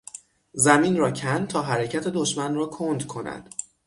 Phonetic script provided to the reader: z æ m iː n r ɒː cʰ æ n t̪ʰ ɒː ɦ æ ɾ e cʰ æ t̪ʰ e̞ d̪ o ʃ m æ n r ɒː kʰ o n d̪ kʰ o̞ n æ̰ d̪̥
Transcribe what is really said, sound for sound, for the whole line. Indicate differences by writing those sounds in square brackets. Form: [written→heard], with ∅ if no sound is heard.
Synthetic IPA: z æ m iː n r ɒː cʰ æ n t̪ʰ ɒː ɦ æ ɾ e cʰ æ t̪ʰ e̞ d̪ o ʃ m æ n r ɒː kʰ o n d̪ kʰ o̞ n æ̰ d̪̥